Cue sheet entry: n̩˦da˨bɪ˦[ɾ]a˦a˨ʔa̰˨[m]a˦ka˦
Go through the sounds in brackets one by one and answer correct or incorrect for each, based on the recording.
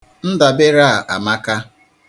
correct, correct

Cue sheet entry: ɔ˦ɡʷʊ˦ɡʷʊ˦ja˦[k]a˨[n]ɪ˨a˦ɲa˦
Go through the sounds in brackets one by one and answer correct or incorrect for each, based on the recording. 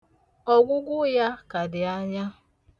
correct, incorrect

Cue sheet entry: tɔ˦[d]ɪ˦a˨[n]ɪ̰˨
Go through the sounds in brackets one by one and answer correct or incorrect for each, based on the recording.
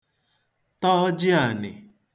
incorrect, correct

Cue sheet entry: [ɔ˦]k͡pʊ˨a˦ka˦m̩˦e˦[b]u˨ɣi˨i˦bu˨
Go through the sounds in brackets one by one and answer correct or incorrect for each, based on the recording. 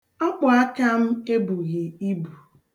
correct, correct

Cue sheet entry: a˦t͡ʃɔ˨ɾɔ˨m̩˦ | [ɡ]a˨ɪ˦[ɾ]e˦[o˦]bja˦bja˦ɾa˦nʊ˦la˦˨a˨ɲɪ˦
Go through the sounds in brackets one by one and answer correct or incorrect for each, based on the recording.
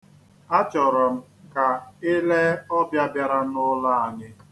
incorrect, incorrect, incorrect

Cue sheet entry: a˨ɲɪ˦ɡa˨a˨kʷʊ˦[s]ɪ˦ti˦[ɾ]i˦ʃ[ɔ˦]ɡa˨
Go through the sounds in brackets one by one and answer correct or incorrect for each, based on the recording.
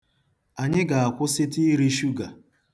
correct, correct, incorrect

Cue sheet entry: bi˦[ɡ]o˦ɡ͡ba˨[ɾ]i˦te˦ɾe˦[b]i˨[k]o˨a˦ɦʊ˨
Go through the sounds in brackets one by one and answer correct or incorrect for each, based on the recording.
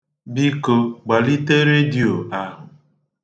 incorrect, incorrect, incorrect, incorrect

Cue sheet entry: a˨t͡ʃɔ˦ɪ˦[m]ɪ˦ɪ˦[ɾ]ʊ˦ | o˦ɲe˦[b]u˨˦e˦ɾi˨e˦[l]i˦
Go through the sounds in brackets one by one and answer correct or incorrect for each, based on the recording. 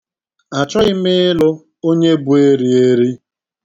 correct, incorrect, correct, incorrect

